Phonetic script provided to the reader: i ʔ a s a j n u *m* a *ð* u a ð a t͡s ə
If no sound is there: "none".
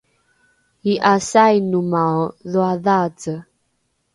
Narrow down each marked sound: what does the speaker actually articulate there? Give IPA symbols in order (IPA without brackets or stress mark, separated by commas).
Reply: m, ð